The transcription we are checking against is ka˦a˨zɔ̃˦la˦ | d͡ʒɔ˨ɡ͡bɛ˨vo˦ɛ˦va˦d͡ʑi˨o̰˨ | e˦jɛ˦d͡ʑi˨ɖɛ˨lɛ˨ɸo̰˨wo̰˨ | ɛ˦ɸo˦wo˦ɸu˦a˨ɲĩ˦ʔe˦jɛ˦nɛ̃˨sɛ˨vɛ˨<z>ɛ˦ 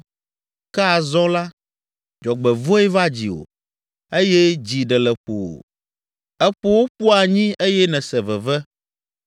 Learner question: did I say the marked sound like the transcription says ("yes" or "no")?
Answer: no